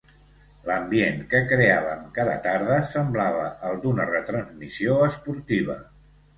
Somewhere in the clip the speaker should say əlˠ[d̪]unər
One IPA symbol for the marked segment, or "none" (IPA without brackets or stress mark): d̪